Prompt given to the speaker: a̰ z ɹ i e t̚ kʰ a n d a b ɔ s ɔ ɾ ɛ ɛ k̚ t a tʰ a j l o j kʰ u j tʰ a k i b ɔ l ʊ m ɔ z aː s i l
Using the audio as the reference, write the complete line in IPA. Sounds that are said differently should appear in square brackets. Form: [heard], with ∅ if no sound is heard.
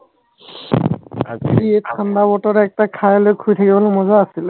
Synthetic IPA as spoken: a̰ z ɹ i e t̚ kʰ a n d a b ɔ [t] ɔ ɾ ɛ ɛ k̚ t a [kʰ] a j l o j kʰ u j tʰ a k i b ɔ l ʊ m ɔ z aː s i l